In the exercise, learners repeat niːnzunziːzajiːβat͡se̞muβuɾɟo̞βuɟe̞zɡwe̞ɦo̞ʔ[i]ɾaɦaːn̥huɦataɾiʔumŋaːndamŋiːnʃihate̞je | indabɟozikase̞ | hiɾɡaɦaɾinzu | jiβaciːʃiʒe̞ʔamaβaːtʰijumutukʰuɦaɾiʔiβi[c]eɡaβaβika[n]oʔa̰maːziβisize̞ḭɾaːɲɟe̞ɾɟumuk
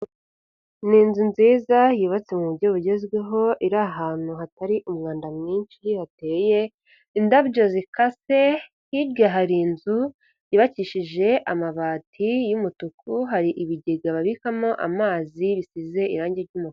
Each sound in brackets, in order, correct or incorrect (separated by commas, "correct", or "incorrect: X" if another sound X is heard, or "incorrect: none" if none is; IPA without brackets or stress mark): correct, incorrect: ɟ, incorrect: m